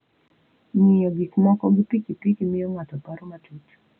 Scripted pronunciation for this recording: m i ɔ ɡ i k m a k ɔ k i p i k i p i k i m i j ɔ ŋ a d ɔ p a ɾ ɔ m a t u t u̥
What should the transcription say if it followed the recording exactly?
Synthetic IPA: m i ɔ ɡ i k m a k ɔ ɡ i p i k i p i k i m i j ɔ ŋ a t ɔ p a ɾ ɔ m a t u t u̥